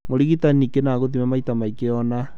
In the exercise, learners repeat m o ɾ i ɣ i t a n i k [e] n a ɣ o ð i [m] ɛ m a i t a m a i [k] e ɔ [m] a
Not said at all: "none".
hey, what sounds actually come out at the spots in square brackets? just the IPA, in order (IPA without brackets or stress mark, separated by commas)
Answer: e, m, k, n